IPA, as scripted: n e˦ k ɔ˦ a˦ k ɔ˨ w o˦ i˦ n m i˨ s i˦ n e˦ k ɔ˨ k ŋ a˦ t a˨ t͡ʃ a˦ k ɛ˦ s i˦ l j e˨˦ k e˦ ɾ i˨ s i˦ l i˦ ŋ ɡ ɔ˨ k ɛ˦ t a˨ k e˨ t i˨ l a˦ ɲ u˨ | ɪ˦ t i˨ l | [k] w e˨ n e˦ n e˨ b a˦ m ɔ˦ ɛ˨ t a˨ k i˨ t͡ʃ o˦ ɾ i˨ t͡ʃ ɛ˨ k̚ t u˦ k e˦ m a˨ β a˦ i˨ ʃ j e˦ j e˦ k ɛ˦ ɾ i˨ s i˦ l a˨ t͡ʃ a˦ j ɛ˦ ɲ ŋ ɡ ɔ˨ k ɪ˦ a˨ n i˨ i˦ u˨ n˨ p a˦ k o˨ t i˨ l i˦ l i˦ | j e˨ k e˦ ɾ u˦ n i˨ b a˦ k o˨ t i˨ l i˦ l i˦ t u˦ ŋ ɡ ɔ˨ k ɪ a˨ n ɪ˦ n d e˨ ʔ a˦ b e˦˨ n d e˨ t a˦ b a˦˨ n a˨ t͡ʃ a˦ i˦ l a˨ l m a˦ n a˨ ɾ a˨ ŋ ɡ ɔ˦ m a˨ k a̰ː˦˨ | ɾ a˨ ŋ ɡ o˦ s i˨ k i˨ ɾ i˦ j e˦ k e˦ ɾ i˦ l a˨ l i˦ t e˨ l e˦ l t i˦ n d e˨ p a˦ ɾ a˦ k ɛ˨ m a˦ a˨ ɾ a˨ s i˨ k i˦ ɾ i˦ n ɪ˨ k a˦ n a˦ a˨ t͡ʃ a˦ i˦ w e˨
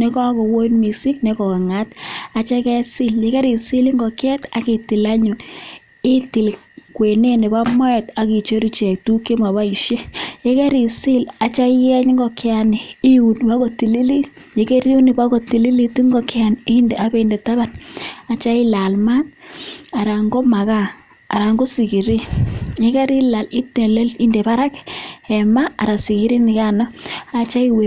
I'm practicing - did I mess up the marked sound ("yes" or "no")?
no